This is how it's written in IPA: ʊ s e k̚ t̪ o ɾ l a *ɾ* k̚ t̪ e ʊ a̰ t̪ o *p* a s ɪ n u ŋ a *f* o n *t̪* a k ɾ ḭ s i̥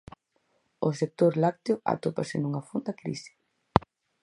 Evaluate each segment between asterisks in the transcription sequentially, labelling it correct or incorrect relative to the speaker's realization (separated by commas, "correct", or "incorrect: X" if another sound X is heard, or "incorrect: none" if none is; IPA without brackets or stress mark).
incorrect: none, correct, correct, incorrect: d̪